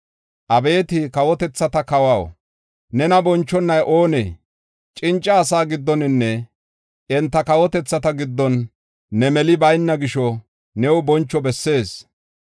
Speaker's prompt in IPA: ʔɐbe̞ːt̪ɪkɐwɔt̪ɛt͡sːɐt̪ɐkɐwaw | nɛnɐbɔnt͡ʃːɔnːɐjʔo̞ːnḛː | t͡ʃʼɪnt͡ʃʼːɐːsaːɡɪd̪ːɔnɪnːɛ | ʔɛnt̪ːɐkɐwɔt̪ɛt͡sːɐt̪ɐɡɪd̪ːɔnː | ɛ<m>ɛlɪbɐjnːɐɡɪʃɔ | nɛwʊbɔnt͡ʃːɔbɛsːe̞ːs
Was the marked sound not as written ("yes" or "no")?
no